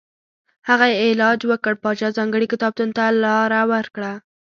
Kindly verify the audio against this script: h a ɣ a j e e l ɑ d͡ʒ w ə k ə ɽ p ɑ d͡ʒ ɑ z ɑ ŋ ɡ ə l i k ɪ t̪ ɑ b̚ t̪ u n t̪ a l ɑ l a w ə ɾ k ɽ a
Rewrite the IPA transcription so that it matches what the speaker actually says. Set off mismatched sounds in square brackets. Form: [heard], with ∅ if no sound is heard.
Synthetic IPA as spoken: h a ɣ a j e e l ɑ d͡ʒ w ə k ə ɽ p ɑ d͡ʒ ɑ z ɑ ŋ ɡ ə [ɽ] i k ɪ t̪ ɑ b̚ t̪ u n t̪ a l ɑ [ɾ] a w ə ɾ k ɽ a